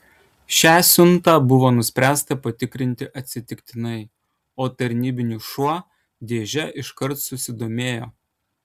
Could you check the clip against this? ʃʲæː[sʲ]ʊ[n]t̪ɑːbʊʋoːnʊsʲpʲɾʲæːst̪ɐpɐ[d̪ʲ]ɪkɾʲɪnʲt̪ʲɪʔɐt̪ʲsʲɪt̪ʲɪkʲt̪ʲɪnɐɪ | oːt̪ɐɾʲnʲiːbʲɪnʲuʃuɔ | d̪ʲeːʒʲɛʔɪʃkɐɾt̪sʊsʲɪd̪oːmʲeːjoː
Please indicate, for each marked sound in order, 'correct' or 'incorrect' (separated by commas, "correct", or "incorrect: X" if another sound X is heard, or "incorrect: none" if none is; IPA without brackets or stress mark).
correct, correct, incorrect: t̪ʲ